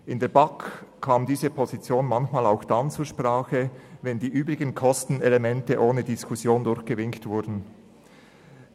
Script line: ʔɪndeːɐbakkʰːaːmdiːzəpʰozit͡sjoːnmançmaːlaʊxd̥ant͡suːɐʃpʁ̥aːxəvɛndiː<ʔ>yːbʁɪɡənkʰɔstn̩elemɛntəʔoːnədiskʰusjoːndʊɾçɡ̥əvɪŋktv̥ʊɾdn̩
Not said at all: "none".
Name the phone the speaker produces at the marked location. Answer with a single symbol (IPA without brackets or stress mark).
ʔ